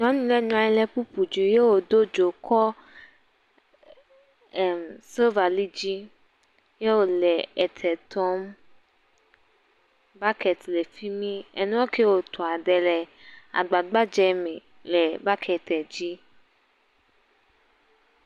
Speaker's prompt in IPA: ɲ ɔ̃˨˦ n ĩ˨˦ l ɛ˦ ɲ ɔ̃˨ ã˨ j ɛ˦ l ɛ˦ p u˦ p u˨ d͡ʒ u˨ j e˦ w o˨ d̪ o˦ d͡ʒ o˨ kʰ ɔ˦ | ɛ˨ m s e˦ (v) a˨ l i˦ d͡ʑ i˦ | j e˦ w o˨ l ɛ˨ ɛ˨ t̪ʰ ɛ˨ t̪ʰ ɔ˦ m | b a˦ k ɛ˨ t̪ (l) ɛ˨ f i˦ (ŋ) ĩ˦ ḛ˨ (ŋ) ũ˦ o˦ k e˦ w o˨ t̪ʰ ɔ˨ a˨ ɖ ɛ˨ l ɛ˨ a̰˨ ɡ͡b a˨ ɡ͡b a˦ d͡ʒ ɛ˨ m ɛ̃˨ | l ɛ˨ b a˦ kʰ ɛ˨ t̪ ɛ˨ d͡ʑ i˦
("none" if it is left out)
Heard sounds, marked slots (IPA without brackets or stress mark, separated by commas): v, l, m, n